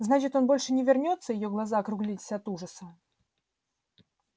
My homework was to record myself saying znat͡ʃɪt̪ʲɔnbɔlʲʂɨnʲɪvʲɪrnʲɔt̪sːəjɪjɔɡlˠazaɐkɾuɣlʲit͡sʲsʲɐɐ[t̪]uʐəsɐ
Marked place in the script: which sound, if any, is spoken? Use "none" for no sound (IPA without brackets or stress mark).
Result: t̪